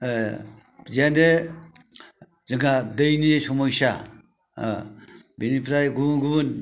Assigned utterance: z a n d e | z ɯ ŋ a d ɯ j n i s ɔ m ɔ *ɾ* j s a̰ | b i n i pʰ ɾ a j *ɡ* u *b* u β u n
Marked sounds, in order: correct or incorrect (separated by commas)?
incorrect, correct, incorrect